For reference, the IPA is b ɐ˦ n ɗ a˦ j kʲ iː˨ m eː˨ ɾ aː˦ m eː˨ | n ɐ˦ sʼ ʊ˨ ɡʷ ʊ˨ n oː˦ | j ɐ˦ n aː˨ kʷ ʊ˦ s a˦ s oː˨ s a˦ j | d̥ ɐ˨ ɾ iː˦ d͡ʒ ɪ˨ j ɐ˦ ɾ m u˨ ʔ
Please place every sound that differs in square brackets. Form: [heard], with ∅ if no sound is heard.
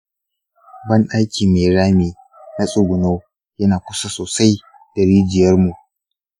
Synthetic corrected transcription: b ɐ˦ n ɗ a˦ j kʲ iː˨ m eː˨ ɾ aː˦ m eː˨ | n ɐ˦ sʼ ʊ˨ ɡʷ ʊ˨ n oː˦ | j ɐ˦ n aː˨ kʷ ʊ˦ s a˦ s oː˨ s a˦ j | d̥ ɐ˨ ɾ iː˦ d͡ʒ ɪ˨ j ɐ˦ [r] m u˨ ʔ